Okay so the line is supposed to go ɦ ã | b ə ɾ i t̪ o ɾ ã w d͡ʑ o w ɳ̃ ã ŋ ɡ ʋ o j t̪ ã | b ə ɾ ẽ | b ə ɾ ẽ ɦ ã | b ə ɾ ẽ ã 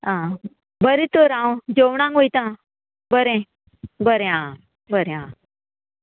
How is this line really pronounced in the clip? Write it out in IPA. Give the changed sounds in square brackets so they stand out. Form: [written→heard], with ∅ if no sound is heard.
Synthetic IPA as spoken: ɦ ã | b ə ɾ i t̪ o ɾ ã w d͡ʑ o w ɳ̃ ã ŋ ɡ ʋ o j t̪ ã | b ə ɾ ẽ | b ə ɾ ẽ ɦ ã | b ə ɾ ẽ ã

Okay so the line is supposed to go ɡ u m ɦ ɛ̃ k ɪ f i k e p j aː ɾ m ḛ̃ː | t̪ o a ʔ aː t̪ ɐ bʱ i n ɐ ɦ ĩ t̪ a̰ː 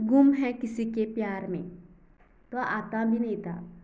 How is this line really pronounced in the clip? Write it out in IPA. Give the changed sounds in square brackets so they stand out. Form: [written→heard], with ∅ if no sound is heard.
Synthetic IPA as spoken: ɡ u m ɦ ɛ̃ k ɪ [f→s] i k e p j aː ɾ m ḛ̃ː | t̪ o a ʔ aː t̪ [ɐ→a] bʱ i n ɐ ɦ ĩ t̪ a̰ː

